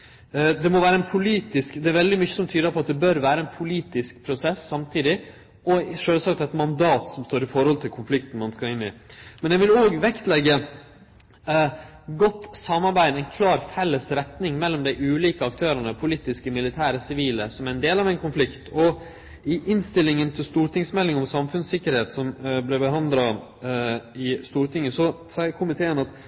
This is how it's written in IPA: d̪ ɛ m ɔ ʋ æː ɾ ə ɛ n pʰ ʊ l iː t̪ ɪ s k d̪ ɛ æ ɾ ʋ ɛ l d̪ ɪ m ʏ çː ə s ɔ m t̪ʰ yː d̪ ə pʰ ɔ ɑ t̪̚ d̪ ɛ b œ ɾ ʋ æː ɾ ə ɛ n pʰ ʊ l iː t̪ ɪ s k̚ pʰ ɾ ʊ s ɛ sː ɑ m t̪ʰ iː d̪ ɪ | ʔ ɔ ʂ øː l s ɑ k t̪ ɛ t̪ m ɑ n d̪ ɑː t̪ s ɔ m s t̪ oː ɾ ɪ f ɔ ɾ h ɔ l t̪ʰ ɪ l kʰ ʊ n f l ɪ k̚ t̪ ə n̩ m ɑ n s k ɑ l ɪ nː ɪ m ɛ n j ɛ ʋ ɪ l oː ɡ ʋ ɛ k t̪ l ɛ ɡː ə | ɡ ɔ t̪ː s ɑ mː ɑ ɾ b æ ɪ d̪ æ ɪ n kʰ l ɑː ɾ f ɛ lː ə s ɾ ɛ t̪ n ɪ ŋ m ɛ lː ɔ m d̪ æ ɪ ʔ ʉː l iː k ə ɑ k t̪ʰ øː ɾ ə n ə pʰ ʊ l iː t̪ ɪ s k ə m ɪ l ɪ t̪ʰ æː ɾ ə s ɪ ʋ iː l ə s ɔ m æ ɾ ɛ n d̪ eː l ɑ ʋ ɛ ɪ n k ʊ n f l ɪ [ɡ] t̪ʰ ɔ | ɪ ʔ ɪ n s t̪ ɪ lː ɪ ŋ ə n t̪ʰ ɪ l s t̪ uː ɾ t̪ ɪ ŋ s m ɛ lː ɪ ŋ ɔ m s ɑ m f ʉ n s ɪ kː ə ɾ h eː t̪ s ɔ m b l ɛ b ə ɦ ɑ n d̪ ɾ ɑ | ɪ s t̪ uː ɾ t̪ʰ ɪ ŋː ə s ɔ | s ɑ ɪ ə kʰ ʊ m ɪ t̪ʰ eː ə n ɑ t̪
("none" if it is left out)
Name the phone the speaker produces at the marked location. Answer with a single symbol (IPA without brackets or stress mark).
k